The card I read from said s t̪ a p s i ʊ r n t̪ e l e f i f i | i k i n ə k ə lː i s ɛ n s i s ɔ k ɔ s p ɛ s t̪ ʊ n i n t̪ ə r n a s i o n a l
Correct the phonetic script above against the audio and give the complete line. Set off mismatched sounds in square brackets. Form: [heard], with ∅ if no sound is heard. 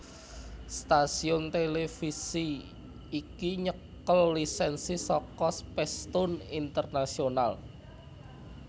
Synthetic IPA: s t̪ a [∅] s i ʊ [∅] n t̪ e l e f i [s] i | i k i [ɲ] ə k ə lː i s ɛ n s i s ɔ k ɔ s p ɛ s t̪ ʊ n i n t̪ ə r n a s i o n a l